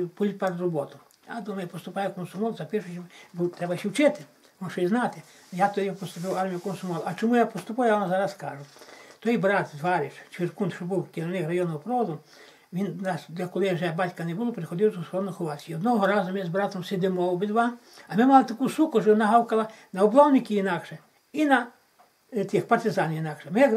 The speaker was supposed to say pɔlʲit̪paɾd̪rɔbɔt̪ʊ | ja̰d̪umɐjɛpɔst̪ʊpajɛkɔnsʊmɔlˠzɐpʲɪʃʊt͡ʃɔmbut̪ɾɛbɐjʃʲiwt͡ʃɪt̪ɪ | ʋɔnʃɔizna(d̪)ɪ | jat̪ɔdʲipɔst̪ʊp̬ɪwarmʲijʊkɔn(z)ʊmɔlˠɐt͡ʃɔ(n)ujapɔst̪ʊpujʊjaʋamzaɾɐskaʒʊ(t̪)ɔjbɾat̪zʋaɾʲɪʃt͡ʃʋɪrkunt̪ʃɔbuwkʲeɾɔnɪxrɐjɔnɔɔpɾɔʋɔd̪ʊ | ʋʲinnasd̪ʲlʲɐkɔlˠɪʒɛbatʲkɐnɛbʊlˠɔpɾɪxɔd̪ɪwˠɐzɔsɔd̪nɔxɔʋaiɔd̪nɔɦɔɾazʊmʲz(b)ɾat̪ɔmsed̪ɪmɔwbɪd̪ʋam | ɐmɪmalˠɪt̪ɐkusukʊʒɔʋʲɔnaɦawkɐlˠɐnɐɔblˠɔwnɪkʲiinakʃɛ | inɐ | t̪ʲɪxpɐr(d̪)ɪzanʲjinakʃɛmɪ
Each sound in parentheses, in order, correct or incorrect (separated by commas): incorrect, incorrect, incorrect, correct, correct, incorrect